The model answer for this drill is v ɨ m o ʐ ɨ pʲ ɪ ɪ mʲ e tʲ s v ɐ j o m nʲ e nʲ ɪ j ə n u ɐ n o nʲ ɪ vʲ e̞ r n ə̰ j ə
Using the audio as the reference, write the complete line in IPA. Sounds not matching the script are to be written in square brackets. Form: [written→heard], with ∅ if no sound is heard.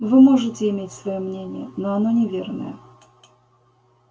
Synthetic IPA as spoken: v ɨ m o ʐ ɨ [pʲ→tʲ] ɪ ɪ mʲ e tʲ s v ɐ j o m nʲ e nʲ ɪ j ə n [u→o] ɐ n o nʲ ɪ vʲ e̞ r n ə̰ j ə